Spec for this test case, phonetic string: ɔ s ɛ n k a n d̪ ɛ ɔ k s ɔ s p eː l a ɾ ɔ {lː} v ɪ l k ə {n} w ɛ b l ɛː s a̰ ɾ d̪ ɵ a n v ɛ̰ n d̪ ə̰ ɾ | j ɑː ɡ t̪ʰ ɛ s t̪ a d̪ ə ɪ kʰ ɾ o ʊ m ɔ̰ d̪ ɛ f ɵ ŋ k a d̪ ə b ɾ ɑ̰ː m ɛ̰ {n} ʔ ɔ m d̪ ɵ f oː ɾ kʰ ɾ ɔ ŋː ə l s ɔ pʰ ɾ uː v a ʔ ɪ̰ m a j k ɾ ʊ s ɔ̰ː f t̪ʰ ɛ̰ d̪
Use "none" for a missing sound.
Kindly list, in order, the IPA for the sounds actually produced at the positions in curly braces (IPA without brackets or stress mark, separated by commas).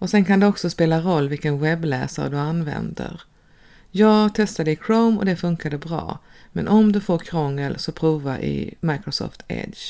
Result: lː, n, n